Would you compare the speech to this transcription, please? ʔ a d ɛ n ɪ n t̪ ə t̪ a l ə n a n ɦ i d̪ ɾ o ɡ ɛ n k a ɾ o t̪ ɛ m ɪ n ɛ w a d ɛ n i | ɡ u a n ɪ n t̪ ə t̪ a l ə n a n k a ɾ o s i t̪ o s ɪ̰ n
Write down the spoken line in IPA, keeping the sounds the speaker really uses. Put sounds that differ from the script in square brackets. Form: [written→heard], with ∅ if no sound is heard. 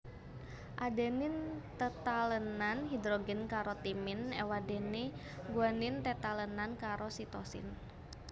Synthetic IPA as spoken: ʔ a d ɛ n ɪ n t̪ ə t̪ a l ə n a n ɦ i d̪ ɾ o ɡ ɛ n k a ɾ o t̪ [ɛ→i] m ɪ n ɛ w a d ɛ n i | ɡ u a n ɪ n t̪ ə t̪ a l ə n a n k a ɾ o s i t̪ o s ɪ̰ n